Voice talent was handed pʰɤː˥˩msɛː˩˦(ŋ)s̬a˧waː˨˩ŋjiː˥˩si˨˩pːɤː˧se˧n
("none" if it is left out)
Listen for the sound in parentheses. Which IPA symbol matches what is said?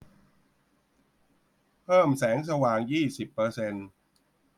ŋ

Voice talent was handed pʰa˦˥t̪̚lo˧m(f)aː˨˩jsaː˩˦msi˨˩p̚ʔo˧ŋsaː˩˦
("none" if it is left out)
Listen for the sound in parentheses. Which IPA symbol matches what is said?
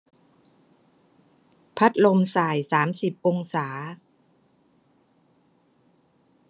s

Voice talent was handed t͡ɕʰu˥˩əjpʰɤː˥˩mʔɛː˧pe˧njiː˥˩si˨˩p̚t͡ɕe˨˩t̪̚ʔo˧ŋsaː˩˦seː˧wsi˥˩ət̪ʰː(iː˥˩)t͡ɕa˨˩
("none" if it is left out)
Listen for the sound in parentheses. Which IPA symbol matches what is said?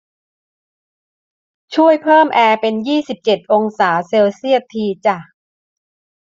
iː˧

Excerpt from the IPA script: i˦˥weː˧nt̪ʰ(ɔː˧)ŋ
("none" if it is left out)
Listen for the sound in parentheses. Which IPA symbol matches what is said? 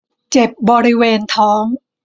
ɔː˦˥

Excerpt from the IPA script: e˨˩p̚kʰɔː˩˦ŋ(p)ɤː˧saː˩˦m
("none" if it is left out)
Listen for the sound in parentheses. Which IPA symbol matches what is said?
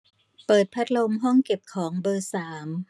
b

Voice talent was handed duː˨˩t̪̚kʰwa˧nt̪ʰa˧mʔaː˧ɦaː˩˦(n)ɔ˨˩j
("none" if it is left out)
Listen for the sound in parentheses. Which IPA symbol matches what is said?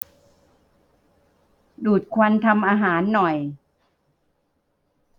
nː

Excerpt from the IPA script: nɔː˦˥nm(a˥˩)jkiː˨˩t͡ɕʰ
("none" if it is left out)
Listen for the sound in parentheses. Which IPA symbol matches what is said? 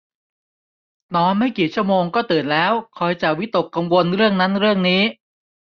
a˥˩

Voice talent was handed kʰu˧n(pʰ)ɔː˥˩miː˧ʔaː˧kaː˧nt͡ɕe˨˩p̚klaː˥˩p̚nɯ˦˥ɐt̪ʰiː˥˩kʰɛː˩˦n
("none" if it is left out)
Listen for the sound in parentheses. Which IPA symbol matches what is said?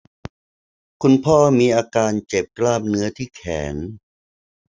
pʰ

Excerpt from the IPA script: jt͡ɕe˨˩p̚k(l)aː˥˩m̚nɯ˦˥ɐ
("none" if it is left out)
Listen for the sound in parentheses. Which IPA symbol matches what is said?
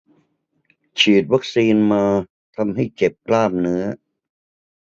l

